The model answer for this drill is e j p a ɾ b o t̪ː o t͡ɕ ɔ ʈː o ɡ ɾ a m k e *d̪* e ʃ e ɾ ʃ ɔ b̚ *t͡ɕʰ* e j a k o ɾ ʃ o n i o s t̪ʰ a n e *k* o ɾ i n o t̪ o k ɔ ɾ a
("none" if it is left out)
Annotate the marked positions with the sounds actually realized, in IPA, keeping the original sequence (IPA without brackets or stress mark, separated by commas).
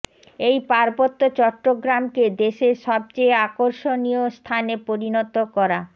d̪, t͡ɕ, p